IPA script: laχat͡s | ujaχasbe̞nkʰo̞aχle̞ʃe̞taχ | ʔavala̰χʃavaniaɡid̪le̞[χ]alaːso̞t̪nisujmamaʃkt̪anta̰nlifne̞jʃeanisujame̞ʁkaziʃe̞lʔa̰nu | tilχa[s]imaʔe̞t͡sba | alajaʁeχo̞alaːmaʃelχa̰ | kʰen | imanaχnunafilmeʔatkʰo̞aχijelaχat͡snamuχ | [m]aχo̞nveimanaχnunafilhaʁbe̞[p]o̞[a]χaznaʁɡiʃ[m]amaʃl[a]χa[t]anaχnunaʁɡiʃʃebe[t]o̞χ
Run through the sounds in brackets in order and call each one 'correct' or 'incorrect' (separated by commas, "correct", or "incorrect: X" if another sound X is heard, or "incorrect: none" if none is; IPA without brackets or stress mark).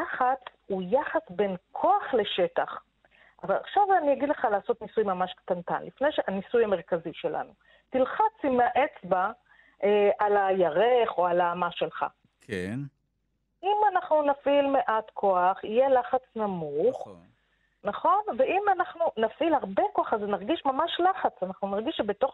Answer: correct, incorrect: t͡s, incorrect: n, incorrect: k, correct, correct, correct, incorrect: t͡s, correct